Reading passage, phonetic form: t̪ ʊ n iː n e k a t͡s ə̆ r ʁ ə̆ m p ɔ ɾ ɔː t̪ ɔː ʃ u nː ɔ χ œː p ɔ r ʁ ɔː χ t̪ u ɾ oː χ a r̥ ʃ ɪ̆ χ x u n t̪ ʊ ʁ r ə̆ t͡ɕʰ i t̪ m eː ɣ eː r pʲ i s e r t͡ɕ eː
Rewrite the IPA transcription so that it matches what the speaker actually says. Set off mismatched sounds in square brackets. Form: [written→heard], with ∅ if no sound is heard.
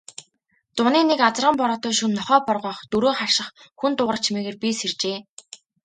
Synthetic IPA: t̪ ʊ n iː n e k a t͡s ə̆ r ʁ ə̆ m p ɔ ɾ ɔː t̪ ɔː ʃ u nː ɔ χ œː p ɔ r ʁ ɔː χ t̪ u ɾ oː χ a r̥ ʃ ɪ̆ χ x u n t̪ ʊ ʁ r ə̆ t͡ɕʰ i [t̪→∅] m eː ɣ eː r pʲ i s e r t͡ɕ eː